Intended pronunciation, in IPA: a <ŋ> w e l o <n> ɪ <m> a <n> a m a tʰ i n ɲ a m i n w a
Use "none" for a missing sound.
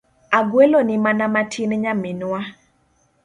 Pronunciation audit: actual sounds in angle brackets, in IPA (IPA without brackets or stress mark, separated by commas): ɡ, n, m, n